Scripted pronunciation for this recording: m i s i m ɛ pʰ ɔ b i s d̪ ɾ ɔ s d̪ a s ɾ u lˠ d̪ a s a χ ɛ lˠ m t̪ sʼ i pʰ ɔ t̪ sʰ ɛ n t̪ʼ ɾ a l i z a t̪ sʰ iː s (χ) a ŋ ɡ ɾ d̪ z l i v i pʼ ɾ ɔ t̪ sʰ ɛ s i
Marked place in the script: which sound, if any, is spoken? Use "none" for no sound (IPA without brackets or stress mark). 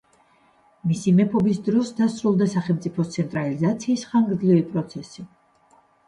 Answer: χ